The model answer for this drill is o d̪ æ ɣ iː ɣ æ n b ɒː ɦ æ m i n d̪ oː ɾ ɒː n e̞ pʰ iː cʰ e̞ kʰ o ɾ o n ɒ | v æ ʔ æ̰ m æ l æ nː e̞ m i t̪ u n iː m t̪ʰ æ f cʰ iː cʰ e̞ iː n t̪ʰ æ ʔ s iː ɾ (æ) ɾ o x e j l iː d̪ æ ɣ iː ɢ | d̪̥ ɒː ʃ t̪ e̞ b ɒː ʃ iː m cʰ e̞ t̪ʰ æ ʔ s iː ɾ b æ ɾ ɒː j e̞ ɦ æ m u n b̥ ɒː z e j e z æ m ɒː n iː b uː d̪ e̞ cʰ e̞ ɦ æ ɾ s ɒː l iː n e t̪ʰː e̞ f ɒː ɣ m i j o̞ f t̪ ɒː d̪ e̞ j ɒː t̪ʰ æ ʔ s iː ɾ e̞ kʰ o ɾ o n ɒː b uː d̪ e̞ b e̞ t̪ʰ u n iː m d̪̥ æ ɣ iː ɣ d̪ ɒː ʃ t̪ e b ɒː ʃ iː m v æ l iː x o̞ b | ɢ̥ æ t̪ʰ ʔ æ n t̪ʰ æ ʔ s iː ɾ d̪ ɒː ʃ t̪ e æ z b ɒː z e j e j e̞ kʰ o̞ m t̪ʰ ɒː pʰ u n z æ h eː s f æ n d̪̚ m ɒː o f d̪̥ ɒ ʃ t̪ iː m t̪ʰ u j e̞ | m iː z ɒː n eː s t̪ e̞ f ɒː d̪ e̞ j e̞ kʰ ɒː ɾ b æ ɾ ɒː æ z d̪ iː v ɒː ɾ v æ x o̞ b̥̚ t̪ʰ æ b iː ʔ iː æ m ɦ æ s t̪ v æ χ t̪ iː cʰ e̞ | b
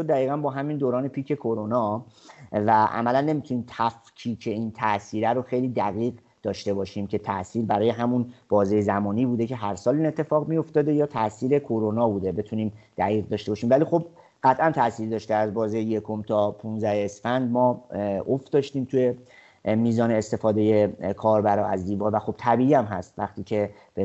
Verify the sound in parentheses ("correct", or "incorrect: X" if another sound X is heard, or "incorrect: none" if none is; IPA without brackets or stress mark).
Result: correct